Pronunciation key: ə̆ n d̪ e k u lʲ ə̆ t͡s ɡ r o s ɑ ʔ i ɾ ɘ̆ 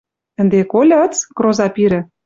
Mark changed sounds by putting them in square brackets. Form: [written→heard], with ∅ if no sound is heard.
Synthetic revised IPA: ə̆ n d̪ e k [u→o] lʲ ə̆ t͡s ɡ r o [s→z] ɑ [ʔ→p] i ɾ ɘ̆